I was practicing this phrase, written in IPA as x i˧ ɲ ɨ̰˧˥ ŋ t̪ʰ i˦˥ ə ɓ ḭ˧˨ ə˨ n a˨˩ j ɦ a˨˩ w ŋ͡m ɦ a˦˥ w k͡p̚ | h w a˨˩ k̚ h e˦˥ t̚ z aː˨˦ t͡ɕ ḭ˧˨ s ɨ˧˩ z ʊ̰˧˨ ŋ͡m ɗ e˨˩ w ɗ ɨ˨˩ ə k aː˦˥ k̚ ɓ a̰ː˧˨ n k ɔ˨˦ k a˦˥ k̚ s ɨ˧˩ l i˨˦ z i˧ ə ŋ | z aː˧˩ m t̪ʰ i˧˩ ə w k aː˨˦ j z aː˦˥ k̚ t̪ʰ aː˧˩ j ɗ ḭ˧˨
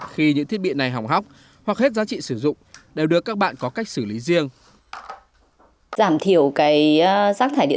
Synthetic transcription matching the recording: x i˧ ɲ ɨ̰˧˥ ŋ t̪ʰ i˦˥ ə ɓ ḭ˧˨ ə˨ n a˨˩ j ɦ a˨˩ w ŋ͡m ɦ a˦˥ w k͡p̚ | h w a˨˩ k̚ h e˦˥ t̚ z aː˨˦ t͡ɕ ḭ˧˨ s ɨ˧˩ z ʊ̰˧˨ ŋ͡m ɗ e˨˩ w ɗ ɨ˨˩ ə k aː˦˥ k̚ ɓ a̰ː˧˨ n k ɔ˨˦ k a˦˥ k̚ s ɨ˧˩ l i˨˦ z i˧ ə ŋ | z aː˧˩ m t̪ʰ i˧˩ ə w k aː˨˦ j z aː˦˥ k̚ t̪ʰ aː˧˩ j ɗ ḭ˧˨